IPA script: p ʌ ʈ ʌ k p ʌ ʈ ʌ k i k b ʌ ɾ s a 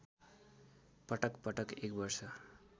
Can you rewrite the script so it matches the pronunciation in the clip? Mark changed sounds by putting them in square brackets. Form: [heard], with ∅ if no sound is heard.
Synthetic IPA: p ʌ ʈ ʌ k p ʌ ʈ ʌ k [e] k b ʌ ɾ s [ʌ]